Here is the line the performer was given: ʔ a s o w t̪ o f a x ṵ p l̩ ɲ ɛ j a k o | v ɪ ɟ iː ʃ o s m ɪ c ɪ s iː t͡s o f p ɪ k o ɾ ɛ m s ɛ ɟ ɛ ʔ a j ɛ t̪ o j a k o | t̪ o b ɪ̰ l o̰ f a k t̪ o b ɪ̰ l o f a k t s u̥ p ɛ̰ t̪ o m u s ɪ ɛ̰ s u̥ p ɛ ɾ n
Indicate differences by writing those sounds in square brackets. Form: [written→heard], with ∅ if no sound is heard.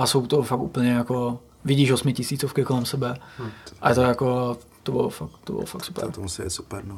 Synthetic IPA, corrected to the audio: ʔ a s o w t̪ o f a [x→k] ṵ p l̩ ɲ ɛ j a k o | v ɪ ɟ iː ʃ o s m ɪ c ɪ s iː t͡s o f [p→k] ɪ k o [ɾ→l] ɛ m s ɛ [ɟ→b] ɛ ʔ a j ɛ t̪ o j a k o | t̪ o b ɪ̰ l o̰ f a k t̪ o b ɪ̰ l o f a k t s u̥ p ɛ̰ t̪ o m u s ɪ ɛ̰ s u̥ p ɛ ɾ n